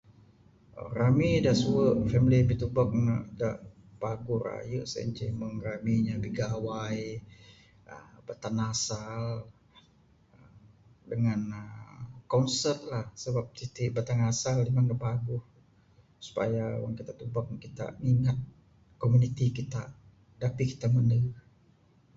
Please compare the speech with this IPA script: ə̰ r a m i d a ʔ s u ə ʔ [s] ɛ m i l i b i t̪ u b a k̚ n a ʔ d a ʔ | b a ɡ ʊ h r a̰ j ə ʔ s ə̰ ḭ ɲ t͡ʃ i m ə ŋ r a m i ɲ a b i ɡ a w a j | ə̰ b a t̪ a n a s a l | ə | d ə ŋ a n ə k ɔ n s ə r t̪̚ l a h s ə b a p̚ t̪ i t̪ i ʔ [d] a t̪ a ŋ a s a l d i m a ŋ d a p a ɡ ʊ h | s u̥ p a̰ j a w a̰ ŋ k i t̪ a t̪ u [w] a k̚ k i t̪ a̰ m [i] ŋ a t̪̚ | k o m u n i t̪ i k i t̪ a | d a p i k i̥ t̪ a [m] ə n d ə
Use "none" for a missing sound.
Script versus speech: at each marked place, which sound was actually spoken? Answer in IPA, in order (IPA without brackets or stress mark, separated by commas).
f, b, b, i, m